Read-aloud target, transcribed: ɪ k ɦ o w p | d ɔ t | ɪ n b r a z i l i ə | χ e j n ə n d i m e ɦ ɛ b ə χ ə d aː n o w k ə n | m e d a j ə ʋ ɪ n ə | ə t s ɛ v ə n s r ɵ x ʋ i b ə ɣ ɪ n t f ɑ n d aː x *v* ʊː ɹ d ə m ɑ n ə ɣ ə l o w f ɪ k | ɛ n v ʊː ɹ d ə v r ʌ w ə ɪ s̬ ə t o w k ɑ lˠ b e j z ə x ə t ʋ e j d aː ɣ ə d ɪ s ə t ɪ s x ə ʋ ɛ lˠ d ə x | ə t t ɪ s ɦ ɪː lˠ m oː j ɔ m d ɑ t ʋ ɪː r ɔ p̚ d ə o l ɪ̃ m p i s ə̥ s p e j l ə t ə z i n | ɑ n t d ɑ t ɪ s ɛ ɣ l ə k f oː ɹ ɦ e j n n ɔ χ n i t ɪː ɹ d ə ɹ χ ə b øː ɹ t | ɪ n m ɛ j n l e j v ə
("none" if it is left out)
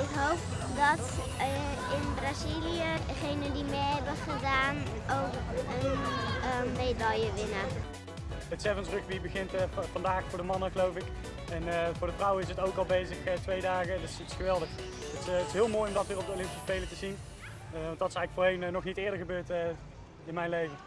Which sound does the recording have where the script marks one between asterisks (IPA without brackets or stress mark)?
f